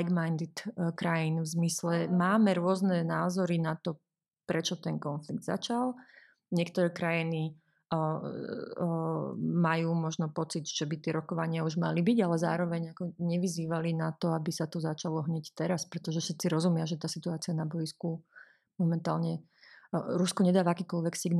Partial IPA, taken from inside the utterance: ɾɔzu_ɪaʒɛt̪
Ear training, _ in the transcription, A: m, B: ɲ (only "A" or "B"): A